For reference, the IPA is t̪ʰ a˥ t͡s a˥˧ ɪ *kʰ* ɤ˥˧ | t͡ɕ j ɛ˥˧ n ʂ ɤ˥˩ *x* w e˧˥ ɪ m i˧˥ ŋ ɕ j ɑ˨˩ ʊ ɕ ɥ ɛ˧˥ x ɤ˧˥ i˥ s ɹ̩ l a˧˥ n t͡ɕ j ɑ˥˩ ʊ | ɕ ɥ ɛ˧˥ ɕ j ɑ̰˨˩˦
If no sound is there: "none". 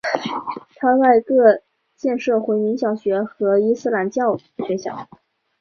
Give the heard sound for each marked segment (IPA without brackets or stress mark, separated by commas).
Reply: k, x